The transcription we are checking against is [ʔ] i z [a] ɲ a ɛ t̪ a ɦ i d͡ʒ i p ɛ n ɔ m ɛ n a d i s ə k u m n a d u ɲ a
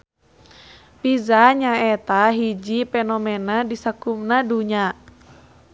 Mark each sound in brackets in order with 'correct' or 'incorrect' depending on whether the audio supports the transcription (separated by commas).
incorrect, correct